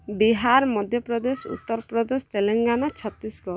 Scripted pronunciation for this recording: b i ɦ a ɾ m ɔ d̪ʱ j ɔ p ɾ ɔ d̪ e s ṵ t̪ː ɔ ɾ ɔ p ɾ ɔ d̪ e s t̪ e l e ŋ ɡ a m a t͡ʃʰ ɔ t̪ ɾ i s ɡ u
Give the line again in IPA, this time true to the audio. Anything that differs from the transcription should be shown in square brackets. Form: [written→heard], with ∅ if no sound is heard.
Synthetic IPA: b i ɦ a ɾ m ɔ d̪ʱ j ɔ p ɾ ɔ d̪ e s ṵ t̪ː ɔ ɾ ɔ p ɾ ɔ d̪ e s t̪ e l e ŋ ɡ a [m→n] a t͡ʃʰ ɔ t̪ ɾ i s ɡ [u→ɔ]